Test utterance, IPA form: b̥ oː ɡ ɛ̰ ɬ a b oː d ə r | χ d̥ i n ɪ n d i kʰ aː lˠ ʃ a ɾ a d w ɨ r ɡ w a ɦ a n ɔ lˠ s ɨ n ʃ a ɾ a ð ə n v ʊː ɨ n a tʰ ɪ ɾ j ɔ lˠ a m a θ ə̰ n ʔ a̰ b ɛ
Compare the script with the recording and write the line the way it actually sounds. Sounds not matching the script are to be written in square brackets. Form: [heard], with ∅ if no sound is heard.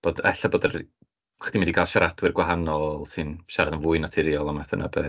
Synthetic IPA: b̥ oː [d] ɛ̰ ɬ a b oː d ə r | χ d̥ i [m] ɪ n d i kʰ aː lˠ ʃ a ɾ a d w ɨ r ɡ w a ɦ a n ɔ lˠ s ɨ n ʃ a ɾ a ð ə n v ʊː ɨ n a tʰ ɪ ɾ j ɔ lˠ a m a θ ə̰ n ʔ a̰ b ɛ

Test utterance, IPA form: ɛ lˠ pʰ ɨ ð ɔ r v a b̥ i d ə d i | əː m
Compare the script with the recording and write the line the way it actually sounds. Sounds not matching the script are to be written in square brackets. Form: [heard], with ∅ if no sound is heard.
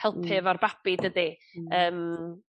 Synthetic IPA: ɛ lˠ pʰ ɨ [v] ɔ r [b] a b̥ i d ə d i | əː m

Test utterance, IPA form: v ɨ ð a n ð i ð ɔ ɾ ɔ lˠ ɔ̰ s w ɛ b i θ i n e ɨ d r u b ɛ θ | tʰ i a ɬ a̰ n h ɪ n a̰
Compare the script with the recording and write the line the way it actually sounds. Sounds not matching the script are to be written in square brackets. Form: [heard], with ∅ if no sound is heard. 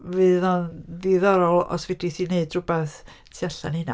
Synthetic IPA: v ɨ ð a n ð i ð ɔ ɾ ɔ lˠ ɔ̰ s [v] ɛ [d] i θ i n e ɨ d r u b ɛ θ | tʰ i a ɬ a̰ n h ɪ n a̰

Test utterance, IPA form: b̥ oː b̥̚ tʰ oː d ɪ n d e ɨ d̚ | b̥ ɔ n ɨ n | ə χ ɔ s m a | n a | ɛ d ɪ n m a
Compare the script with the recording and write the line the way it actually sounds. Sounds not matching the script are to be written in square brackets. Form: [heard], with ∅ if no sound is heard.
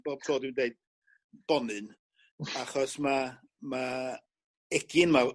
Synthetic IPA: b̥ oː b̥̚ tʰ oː d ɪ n d e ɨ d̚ | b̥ ɔ n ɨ n | [a] χ ɔ s m a | [m] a | ɛ [ɡ] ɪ n m a

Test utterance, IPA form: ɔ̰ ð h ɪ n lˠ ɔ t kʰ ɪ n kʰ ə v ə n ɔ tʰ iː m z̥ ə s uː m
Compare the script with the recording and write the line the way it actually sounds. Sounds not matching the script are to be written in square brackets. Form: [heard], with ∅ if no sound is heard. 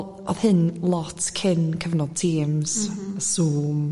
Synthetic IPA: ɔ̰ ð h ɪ n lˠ ɔ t kʰ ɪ n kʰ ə v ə n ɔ tʰ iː m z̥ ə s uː m

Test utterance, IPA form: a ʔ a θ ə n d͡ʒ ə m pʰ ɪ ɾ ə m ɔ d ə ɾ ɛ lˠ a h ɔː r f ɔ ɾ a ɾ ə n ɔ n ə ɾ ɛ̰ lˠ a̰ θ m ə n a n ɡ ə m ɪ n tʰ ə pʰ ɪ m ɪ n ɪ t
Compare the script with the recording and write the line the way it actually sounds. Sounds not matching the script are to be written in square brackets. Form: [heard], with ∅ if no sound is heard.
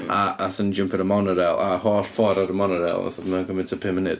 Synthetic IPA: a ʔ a θ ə n d͡ʒ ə m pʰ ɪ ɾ ə m ɔ [n] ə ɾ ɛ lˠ a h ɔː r f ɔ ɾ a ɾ ə [m] ɔ n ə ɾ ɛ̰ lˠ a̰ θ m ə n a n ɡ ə m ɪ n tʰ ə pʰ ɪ m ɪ n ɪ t

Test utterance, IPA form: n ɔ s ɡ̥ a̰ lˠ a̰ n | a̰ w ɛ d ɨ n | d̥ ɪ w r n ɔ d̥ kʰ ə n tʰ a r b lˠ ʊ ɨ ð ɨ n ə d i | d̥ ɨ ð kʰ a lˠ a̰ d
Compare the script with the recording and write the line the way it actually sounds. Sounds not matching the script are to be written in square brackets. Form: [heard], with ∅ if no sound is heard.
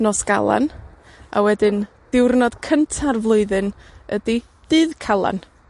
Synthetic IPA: n ɔ s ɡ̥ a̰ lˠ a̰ n | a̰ w ɛ d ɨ n | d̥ ɪ w r n ɔ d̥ kʰ ə n tʰ a r [v] lˠ ʊ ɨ ð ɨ n ə d i | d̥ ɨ ð kʰ a lˠ a̰ [n]

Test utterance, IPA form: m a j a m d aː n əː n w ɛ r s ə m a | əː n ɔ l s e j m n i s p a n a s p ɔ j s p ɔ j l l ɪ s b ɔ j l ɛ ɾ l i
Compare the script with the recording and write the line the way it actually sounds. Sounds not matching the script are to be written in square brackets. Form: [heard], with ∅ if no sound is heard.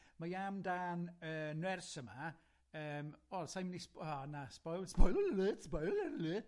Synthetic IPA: m a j a m d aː n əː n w ɛ r s ə m a | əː [m] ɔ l s [a] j m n i s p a n a s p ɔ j s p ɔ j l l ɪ s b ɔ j l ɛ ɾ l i

